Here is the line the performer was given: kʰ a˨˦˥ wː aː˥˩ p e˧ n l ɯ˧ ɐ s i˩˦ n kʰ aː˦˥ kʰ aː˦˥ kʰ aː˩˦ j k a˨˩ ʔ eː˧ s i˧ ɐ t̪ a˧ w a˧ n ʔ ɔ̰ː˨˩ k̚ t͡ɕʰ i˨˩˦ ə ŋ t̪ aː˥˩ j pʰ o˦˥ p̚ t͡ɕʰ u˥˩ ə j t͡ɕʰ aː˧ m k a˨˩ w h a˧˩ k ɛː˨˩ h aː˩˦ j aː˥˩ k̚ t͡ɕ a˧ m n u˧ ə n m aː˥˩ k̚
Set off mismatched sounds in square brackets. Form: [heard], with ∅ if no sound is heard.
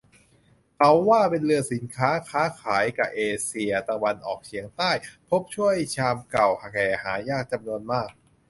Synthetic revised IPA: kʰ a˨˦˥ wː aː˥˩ p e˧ n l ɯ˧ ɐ s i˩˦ n kʰ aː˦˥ kʰ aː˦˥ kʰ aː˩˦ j k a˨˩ ʔ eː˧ s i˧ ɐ t̪ a˧ w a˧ n ʔ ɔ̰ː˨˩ k̚ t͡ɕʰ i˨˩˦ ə ŋ t̪ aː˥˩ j pʰ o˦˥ p̚ t͡ɕʰ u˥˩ ə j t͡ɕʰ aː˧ m k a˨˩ w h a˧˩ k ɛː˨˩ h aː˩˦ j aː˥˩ k̚ t͡ɕ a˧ m n u˧ ə n m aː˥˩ k̚